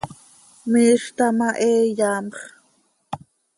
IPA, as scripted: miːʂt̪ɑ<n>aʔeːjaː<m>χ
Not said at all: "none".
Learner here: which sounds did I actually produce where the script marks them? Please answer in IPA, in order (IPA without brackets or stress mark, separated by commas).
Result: m, m